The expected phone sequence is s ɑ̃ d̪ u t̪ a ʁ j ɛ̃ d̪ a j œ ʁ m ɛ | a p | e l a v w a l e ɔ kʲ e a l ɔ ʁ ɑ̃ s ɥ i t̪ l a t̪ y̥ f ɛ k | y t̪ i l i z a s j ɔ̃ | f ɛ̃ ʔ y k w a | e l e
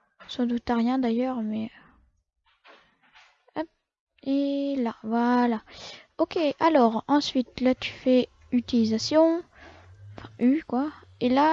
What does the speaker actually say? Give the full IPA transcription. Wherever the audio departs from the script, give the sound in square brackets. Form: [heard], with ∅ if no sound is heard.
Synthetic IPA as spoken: s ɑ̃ d̪ u t̪ a ʁ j ɛ̃ d̪ a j œ ʁ m ɛ | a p | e l a v w a l [a] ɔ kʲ e a l ɔ ʁ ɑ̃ s ɥ i t̪ l a t̪ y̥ f ɛ [∅] | y t̪ i l i z a s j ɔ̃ | f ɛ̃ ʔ y k w a | e l [a]